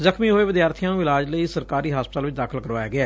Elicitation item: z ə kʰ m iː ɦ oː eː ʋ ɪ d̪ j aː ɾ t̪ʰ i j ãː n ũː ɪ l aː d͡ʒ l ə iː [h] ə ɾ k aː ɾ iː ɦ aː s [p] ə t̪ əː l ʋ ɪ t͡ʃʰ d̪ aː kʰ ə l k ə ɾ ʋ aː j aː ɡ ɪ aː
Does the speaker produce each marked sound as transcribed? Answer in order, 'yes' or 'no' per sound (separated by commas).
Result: no, yes